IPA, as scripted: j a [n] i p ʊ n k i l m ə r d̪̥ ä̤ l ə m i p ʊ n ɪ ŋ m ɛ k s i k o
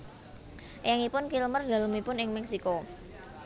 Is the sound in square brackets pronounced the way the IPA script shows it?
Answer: no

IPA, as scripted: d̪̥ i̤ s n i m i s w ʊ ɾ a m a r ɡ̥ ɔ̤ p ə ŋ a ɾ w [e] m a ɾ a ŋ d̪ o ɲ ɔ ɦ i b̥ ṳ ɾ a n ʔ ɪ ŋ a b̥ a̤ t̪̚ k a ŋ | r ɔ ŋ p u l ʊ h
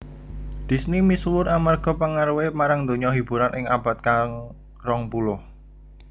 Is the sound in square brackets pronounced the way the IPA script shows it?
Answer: yes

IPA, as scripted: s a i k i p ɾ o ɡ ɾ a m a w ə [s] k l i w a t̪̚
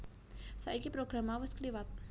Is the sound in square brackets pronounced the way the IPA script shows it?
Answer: yes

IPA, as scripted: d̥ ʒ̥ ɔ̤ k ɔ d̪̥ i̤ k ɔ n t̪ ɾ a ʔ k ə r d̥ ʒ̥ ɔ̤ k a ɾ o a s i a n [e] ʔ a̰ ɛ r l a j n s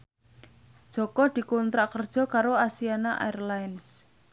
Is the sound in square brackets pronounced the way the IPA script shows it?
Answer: no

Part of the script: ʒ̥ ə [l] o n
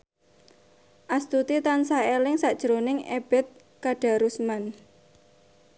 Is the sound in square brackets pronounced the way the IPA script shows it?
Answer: no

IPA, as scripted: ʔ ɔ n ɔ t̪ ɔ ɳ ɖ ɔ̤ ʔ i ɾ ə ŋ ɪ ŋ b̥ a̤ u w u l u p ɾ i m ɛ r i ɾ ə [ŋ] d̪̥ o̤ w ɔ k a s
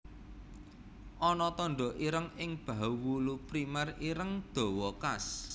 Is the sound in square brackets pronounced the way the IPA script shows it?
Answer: yes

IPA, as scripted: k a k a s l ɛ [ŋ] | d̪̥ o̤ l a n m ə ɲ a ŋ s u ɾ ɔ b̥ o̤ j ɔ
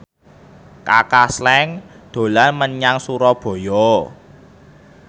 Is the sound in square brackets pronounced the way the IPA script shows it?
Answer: yes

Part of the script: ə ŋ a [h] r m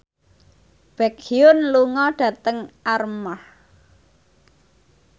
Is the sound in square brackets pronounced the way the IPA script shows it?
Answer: no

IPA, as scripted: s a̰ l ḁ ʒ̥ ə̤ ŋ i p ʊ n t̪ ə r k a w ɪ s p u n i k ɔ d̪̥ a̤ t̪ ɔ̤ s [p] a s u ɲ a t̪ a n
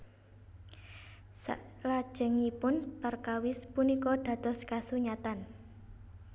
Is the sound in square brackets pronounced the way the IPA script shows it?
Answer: no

